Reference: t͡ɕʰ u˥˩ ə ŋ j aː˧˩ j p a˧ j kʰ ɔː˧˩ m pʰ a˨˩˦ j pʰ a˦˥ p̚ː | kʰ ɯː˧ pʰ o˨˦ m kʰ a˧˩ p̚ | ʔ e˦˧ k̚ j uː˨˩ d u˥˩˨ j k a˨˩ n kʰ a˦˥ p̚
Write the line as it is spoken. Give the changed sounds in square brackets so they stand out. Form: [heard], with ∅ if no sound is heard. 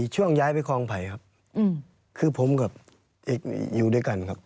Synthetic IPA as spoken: t͡ɕʰ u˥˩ ə ŋ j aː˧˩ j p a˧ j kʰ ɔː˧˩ [ŋ] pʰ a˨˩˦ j [kʰ] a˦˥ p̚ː | kʰ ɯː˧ pʰ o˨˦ m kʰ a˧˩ p̚ | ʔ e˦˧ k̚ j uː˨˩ d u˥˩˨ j k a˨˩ n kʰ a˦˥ p̚